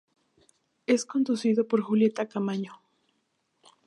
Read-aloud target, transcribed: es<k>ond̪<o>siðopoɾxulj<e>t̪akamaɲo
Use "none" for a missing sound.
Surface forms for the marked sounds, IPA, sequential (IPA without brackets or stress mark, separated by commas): k, u, e